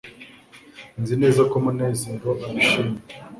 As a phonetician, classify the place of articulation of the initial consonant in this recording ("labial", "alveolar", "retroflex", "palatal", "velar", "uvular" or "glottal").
alveolar